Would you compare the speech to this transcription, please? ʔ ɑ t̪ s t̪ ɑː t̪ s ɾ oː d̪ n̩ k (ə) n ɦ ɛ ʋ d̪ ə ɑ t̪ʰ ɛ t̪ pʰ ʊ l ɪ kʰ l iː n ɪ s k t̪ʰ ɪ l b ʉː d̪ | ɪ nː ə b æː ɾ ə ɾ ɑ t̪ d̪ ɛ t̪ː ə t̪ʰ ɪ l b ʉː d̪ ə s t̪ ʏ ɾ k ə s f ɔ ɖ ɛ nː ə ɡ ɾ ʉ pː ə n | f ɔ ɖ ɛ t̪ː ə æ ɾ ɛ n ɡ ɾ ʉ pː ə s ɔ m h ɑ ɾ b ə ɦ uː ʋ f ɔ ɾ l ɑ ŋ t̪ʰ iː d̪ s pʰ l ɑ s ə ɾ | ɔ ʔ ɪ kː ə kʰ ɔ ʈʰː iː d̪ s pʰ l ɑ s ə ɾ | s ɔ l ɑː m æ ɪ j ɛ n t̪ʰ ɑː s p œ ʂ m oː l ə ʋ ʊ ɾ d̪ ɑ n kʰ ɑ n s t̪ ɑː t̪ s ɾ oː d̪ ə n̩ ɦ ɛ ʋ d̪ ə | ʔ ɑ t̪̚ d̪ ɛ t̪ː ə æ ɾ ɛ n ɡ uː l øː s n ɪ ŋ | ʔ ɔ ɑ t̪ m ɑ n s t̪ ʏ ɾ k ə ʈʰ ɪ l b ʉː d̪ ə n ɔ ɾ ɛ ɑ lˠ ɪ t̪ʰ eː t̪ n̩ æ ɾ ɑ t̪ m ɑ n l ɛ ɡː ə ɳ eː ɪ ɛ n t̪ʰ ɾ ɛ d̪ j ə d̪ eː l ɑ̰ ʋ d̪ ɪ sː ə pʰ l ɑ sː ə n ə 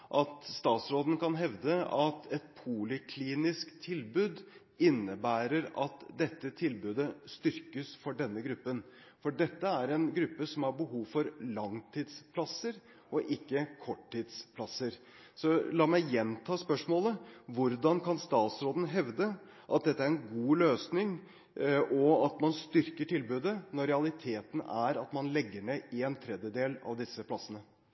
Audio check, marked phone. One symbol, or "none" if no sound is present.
ɑ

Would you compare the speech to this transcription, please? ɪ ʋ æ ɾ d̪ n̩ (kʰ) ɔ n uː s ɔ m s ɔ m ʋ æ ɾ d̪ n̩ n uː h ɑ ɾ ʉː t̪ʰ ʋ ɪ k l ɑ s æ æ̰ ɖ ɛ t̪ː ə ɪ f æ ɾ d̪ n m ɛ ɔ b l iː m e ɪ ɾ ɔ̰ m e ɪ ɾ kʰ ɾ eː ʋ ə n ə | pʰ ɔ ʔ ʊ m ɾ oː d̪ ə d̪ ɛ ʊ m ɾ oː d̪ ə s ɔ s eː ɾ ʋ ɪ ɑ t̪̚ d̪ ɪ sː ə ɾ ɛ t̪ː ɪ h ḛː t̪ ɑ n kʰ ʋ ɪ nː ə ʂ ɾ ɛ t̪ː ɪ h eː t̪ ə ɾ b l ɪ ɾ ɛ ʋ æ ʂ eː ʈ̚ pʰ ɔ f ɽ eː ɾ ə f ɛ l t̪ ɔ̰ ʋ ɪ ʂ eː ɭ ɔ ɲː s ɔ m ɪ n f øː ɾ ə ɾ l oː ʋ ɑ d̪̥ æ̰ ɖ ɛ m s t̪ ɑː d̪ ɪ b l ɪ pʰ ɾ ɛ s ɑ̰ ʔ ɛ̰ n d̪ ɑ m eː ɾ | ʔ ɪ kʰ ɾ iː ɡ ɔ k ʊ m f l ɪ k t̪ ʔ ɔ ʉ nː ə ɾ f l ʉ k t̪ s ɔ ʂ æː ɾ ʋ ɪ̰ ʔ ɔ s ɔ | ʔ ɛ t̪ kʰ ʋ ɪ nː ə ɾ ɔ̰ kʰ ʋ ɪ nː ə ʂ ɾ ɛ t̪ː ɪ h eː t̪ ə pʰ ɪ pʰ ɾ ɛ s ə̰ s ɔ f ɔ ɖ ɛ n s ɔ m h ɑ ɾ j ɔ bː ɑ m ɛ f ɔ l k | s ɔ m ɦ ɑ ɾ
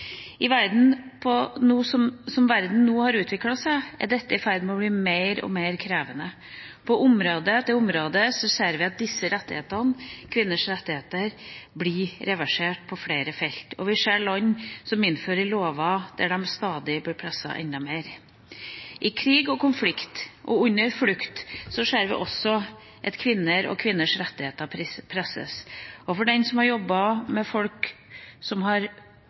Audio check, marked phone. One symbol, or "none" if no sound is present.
pʰ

